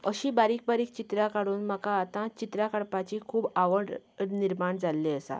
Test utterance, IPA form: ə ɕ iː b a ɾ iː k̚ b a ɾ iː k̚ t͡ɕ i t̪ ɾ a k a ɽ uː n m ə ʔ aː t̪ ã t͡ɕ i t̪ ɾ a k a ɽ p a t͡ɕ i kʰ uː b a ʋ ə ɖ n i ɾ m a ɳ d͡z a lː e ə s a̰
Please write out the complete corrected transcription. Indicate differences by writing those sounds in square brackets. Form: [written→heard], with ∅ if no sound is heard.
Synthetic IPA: ə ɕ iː b a ɾ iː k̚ b a ɾ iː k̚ t͡ɕ i t̪ ɾ a k a ɽ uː n m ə [ʔ→k] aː t̪ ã t͡ɕ i t̪ ɾ a k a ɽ p a t͡ɕ i kʰ uː b a ʋ ə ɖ n i ɾ m a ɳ d͡z a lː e ə s a̰